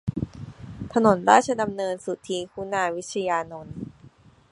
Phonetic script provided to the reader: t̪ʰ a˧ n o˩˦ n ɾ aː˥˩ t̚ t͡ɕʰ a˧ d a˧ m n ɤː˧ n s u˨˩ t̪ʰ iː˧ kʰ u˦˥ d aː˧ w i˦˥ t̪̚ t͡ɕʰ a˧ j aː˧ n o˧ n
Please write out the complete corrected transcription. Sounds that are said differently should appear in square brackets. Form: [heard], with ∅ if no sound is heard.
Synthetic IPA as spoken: t̪ʰ a˧ n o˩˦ n ɾ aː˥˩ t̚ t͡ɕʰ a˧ d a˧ m n ɤː˧ n s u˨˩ t̪ʰ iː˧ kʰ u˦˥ [n] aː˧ w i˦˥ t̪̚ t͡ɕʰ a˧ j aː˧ n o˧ n